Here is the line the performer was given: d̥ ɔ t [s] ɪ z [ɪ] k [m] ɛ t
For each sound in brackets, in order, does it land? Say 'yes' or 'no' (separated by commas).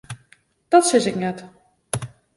yes, yes, no